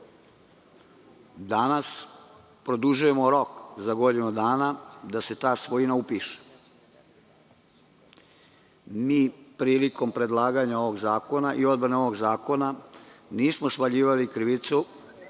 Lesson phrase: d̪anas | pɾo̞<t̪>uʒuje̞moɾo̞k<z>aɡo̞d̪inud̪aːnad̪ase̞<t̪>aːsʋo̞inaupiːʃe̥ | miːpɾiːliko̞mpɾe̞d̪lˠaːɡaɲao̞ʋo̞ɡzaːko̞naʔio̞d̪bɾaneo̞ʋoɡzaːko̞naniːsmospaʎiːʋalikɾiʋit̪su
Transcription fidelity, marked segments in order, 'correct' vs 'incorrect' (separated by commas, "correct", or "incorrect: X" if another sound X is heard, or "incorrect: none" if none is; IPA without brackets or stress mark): incorrect: d̪, correct, correct